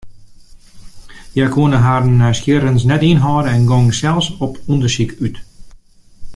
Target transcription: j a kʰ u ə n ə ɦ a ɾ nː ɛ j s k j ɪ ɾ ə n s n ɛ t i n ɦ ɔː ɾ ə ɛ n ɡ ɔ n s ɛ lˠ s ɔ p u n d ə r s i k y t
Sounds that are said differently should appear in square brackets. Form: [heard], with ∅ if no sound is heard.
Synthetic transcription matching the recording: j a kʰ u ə n ə ɦ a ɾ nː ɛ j s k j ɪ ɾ ə n s n ɛ t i n ɦ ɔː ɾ ə ɛ n ɡ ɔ [ŋ] s ɛ lˠ s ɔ p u n d ə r s i k y t